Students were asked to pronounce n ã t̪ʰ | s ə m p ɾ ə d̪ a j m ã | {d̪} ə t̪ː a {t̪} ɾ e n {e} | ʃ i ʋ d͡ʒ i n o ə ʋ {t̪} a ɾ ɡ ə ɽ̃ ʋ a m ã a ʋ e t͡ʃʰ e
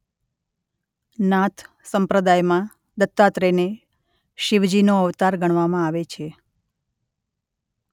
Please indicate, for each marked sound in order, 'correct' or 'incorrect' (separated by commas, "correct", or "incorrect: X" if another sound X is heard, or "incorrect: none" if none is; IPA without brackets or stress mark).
correct, correct, correct, correct